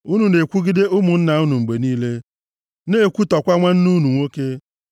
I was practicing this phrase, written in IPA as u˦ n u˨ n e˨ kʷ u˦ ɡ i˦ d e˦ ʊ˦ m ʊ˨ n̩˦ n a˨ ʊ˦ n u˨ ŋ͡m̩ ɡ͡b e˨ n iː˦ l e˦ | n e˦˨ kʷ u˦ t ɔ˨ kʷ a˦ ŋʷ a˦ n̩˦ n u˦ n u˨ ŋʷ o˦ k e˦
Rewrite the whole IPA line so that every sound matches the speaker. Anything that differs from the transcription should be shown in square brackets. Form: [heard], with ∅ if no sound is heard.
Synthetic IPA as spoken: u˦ n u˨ n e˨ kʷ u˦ ɡ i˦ d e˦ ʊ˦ m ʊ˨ n̩˦ n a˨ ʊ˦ n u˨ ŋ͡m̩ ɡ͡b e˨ n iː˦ l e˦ | n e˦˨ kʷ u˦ t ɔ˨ kʷ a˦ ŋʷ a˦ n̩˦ n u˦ n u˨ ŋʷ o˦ k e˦